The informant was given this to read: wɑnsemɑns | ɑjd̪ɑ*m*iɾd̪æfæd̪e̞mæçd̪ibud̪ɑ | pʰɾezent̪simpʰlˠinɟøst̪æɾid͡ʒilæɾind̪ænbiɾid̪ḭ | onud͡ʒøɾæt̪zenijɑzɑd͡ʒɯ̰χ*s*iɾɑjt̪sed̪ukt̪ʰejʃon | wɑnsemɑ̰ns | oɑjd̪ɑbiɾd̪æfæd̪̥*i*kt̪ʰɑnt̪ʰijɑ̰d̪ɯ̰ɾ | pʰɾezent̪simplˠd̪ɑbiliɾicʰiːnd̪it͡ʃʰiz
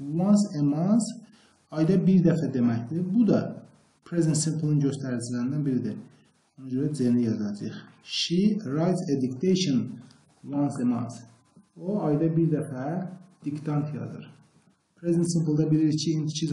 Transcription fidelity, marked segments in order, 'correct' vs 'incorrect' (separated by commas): incorrect, incorrect, correct